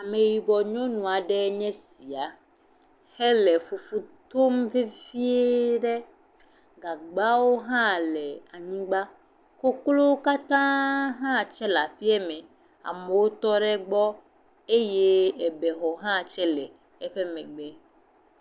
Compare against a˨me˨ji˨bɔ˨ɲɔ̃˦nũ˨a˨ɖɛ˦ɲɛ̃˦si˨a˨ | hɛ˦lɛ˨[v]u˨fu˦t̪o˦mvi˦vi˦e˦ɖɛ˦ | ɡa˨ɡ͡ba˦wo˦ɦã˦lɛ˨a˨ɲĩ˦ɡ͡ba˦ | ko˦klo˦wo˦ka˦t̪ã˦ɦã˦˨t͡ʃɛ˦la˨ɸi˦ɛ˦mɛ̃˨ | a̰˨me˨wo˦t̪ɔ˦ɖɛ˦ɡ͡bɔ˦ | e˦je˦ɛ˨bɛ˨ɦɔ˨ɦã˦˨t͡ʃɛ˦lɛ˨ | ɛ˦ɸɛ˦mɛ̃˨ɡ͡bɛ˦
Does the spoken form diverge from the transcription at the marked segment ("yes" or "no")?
yes